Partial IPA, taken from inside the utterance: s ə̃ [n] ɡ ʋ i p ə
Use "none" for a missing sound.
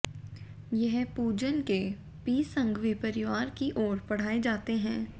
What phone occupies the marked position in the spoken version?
ŋ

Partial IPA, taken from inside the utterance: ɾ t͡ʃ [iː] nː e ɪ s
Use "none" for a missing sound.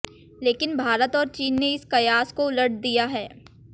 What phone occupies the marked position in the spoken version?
iː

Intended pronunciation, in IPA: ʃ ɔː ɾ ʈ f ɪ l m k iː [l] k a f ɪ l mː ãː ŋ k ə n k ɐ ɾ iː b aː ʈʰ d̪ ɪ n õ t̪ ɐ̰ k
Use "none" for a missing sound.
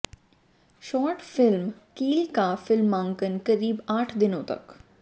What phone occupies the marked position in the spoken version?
l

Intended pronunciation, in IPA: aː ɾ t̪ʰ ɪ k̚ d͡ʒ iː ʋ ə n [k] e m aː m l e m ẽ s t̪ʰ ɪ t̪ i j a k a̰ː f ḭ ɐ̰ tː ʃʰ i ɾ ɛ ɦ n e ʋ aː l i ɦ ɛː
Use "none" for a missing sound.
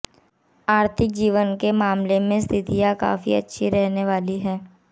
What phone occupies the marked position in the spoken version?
k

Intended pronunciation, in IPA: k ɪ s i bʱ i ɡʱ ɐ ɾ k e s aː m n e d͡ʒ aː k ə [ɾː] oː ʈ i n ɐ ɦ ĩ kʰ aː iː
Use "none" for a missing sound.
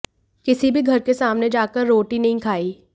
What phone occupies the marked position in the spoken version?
ɾː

